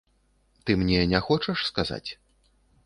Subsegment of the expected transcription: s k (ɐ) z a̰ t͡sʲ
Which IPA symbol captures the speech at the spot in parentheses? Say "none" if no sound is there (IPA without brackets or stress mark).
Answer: a